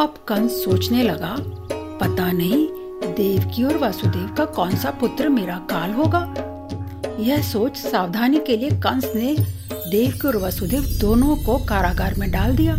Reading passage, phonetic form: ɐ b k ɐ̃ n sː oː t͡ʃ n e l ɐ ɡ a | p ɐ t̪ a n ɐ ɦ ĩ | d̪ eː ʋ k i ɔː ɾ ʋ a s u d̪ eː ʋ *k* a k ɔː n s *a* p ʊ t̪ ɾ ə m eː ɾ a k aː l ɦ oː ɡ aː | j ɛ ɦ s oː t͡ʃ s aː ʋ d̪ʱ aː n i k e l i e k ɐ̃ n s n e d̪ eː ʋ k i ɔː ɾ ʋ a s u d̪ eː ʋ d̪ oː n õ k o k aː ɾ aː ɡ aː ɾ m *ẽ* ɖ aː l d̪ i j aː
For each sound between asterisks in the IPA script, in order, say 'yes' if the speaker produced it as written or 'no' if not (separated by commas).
yes, yes, yes